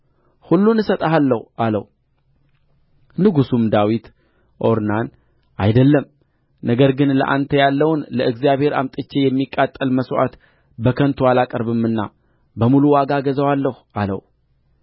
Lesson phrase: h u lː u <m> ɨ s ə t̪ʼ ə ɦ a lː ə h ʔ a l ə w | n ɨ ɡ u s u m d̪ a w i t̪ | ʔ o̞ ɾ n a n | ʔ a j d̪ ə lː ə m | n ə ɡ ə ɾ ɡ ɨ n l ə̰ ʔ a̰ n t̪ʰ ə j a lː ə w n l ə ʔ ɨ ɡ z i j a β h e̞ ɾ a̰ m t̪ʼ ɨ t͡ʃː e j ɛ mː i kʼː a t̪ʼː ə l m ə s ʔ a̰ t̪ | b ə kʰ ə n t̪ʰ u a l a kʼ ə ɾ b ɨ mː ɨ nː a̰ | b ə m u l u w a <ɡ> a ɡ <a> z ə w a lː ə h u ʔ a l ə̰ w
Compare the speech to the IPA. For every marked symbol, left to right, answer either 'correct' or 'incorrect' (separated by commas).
incorrect, correct, incorrect